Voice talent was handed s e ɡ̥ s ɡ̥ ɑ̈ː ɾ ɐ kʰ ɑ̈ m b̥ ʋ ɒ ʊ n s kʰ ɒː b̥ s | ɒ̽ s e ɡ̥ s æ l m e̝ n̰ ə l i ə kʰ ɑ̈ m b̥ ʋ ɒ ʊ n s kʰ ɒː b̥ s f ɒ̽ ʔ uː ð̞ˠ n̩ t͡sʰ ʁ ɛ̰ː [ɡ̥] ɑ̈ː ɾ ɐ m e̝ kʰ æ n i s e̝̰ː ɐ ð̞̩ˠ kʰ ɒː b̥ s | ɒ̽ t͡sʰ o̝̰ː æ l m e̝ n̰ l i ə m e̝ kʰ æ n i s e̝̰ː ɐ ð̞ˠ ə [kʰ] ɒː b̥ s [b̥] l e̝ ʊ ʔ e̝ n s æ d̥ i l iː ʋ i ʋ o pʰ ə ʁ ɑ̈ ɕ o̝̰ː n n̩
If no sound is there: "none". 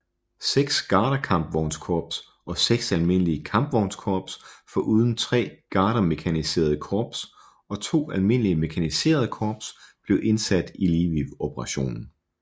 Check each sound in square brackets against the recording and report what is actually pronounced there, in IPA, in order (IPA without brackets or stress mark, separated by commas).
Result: ɡ̥, kʰ, b̥